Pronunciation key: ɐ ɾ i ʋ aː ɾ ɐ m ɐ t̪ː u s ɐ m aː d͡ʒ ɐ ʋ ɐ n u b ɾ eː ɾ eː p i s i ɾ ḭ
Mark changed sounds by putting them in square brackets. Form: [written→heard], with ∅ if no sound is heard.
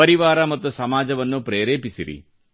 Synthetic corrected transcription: ɐ ɾ i ʋ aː ɾ ɐ m ɐ t̪ː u s ɐ m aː d͡ʒ ɐ ʋ ɐ [n→nː] u [b→p] ɾ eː ɾ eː p i s i ɾ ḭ